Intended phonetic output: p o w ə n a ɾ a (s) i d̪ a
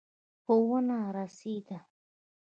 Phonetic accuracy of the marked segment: correct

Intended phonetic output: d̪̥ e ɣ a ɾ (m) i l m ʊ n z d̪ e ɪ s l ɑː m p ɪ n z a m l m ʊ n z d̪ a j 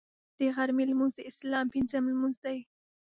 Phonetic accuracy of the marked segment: correct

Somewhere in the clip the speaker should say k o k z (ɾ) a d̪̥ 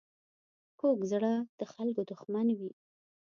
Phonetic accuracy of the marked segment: incorrect: ɽ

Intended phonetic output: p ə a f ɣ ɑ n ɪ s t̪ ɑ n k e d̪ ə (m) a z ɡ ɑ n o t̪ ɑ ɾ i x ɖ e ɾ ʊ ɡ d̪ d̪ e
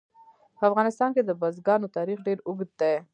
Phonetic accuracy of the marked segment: incorrect: b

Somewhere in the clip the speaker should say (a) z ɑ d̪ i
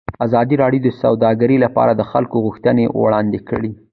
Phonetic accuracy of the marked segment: correct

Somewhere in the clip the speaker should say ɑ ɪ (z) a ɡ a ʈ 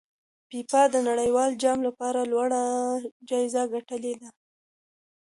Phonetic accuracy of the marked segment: correct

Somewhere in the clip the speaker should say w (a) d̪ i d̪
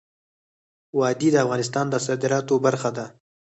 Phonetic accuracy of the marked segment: incorrect: ɑ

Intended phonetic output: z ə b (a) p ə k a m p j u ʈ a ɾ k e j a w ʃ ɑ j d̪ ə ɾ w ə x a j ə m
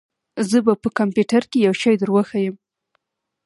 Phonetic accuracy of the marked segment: correct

